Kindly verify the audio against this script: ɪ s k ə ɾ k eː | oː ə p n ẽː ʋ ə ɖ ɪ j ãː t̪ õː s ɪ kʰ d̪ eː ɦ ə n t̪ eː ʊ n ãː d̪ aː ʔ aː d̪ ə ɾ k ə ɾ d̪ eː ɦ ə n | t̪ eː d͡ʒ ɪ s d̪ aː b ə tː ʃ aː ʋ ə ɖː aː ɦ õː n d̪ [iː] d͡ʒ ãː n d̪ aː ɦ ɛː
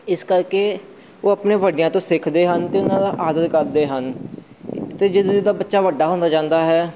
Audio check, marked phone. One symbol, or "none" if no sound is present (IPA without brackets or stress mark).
aː